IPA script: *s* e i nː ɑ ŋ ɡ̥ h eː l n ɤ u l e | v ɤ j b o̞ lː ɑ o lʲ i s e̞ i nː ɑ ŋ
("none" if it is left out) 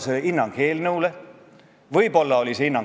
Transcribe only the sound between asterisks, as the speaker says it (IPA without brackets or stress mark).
s